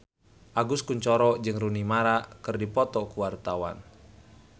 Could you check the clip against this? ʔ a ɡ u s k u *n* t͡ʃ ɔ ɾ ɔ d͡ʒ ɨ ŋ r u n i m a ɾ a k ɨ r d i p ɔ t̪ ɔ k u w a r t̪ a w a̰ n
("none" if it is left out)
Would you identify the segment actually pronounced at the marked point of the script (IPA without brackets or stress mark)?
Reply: ɲ